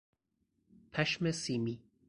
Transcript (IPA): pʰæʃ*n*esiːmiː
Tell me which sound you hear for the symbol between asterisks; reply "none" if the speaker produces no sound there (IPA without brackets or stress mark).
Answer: m